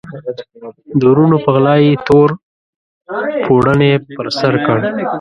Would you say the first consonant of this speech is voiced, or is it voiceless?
voiced